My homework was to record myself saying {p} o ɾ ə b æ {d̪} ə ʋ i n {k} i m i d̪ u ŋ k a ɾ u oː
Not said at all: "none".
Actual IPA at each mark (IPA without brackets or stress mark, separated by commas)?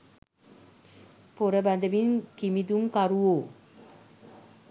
p, d̪, k